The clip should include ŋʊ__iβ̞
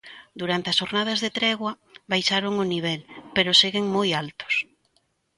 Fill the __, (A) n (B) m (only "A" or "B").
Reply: A